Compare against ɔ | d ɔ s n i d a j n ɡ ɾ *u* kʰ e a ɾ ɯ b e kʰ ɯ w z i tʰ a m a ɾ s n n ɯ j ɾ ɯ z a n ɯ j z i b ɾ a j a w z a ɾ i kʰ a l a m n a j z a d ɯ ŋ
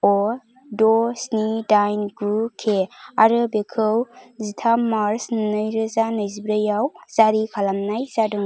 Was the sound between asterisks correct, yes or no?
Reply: yes